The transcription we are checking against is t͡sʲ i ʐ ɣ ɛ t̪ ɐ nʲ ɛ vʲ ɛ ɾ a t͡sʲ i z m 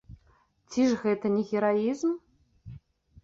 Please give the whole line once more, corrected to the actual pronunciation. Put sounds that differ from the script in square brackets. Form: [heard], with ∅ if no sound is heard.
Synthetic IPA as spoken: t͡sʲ i ʐ ɣ ɛ t̪ ɐ nʲ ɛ [ɣʲ] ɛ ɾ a [∅] i z m